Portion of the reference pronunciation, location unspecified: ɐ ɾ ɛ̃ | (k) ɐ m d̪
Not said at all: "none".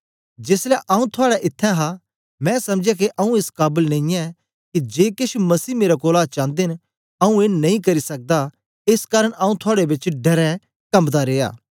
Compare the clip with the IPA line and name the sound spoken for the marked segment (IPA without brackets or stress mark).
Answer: k